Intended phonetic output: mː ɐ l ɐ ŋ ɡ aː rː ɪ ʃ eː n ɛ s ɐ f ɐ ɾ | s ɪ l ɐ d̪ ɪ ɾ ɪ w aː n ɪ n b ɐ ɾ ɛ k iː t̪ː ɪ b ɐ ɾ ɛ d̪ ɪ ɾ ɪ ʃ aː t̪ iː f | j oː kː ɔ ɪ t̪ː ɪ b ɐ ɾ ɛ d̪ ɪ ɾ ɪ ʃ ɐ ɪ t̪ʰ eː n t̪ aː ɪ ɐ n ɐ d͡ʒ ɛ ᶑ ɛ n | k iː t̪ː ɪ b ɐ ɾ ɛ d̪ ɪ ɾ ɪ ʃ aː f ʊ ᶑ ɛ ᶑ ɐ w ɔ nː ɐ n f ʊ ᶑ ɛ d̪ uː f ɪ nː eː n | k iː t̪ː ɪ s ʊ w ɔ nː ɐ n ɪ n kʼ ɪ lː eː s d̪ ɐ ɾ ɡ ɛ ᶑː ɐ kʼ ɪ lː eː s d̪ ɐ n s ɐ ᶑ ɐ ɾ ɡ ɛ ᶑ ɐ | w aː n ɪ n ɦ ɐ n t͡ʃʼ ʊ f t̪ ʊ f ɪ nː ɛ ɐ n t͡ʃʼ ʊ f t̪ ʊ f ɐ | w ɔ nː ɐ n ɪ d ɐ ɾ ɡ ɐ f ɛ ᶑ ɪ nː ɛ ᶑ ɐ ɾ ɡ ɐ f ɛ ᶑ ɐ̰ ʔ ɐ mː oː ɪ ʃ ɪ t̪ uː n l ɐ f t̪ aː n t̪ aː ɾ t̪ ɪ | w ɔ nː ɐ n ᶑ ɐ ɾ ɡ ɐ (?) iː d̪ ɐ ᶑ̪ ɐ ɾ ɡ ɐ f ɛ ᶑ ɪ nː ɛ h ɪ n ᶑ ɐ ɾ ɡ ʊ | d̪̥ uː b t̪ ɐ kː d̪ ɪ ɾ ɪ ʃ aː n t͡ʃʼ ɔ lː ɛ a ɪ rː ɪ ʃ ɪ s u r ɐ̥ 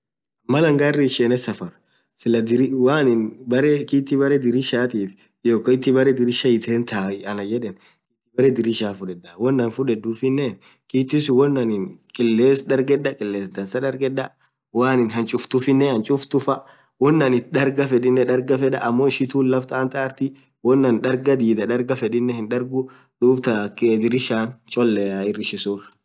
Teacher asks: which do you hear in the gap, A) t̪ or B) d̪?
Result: B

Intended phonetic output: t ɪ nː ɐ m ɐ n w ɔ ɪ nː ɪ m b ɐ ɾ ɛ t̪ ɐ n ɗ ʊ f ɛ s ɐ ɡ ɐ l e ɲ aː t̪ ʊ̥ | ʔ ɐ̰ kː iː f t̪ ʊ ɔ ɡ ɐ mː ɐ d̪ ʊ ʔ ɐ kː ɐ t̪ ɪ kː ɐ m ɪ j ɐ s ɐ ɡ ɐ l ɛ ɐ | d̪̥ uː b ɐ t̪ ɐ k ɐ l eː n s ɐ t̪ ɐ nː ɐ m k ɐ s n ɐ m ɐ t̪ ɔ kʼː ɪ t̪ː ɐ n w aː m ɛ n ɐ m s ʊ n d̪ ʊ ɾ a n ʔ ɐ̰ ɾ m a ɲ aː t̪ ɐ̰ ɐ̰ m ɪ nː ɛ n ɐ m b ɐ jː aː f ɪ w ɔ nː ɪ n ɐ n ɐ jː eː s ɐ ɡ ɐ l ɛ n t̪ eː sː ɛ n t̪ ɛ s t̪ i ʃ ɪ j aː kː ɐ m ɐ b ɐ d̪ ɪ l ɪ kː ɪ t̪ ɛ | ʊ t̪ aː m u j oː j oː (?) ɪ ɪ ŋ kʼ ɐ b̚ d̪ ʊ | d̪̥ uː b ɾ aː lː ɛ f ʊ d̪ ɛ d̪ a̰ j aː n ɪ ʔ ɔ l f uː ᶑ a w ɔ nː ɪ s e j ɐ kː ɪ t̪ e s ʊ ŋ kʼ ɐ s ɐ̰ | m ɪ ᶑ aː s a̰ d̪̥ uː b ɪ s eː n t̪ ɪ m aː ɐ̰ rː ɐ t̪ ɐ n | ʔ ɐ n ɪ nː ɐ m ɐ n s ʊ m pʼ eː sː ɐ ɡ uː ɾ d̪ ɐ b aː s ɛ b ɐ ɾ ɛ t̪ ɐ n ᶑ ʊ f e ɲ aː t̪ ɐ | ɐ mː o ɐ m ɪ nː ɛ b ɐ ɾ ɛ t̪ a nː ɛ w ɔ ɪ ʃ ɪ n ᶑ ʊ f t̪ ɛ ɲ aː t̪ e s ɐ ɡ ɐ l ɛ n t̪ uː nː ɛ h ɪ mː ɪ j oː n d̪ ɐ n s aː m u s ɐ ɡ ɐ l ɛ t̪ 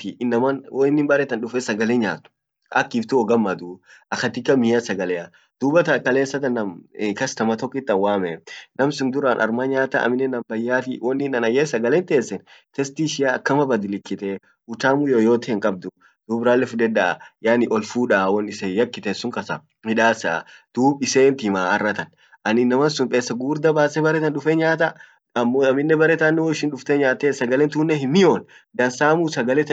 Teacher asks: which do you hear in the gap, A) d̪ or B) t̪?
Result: B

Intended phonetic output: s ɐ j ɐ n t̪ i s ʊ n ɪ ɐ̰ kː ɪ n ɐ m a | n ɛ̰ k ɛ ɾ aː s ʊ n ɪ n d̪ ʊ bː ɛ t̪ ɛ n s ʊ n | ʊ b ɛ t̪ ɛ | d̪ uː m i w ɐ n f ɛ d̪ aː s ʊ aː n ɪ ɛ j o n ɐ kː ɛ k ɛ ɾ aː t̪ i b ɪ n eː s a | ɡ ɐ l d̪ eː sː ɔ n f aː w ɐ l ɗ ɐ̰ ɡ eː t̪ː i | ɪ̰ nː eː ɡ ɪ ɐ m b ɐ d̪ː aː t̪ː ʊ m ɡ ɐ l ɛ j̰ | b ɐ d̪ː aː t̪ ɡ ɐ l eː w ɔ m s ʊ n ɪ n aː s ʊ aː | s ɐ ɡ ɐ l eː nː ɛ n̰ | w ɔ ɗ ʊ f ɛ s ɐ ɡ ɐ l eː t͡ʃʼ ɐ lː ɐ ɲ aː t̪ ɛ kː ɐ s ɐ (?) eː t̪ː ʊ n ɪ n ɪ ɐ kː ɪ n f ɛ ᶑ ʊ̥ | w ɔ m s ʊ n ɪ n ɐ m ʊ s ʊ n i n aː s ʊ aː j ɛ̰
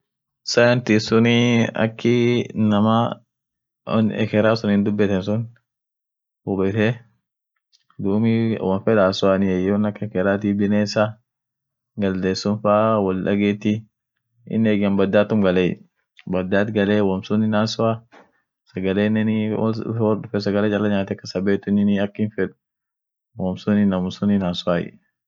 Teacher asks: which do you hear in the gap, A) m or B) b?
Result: B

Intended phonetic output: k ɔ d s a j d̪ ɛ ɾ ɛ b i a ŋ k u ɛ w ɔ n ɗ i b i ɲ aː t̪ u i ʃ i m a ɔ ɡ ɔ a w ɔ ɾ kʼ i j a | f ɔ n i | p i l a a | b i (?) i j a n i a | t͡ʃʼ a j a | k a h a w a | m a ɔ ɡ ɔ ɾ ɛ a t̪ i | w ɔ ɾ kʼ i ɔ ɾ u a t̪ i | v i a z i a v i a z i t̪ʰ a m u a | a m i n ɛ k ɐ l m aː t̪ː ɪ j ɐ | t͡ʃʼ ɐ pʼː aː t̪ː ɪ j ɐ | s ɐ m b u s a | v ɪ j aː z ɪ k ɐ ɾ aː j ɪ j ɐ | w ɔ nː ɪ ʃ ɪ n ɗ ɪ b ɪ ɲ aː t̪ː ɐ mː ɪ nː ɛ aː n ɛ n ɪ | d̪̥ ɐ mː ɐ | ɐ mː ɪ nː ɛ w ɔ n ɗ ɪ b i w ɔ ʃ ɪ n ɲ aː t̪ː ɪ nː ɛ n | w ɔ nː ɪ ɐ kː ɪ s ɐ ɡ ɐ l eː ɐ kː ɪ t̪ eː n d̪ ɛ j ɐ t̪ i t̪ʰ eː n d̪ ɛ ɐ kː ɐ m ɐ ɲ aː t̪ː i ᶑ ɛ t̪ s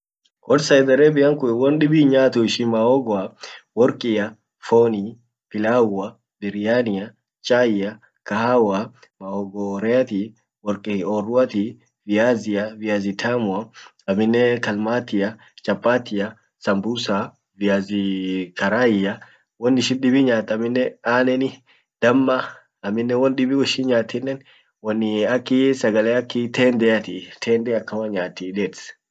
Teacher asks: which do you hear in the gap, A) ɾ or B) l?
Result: A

